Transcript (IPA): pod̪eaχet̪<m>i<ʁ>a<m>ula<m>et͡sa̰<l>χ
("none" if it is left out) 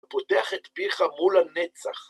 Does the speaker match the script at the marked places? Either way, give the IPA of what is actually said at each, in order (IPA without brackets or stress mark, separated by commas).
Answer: b, χ, m, n, none